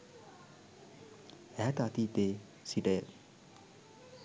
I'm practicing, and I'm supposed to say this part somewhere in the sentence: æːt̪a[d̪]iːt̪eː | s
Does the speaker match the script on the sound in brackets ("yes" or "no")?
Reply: no